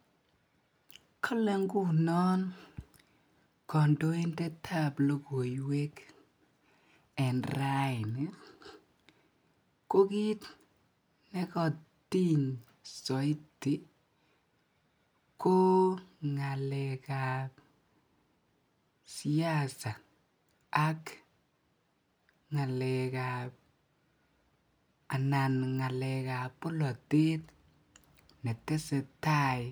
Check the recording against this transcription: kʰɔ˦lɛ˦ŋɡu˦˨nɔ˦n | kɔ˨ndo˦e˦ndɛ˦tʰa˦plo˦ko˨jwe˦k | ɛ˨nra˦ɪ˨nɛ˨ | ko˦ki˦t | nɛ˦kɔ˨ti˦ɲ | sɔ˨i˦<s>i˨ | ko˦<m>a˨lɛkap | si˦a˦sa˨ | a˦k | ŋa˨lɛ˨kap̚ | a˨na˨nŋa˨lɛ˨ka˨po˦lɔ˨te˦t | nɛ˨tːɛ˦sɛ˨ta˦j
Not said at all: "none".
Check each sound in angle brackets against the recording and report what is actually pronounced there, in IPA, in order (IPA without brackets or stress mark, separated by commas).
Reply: t, ŋ